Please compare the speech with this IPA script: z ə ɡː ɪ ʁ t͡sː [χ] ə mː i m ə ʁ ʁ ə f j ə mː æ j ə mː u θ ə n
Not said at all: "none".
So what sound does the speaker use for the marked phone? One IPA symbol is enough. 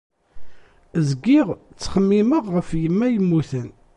χ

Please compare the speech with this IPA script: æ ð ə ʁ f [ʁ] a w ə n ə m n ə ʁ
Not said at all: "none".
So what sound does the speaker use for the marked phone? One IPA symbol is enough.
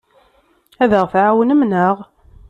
ʕ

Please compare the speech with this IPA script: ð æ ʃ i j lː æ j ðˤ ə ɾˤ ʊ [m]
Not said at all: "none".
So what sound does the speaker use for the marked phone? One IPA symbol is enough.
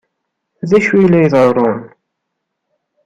n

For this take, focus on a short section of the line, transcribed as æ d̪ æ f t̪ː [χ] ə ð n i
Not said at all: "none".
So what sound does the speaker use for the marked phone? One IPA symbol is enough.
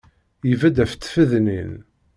f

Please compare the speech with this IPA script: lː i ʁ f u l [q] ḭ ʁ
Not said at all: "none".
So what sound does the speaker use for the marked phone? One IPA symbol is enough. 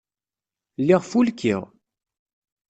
k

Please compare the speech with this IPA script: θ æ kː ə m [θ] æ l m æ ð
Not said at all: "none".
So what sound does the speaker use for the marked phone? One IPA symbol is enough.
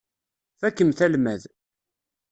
θ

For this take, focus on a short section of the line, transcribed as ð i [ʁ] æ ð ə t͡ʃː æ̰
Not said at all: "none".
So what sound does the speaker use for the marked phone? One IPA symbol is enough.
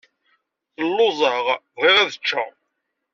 ʁ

